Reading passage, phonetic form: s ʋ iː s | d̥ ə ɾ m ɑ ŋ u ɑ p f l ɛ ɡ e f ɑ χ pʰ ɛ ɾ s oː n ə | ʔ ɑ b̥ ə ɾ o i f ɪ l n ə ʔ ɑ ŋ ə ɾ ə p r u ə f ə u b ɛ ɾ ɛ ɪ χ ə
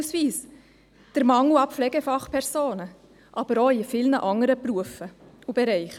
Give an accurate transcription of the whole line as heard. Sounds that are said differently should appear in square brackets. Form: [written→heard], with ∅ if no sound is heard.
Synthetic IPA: s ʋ iː s | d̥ ə ɾ m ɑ ŋ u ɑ p f l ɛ ɡ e f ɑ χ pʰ ɛ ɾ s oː n ə | ʔ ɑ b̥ ə ɾ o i f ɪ l n ə ʔ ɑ ŋ ə ɾ ə p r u ə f ə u b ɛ ɾ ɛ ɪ χ ə